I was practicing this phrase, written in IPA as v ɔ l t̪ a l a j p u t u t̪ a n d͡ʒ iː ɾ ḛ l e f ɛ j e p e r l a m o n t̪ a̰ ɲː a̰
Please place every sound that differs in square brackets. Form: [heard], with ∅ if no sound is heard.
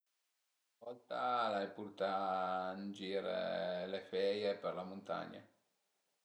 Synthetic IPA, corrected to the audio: v ɔ l t̪ a l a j p u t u t̪ a n d͡ʒ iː ɾ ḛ l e f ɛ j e p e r l a m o n t̪ a̰ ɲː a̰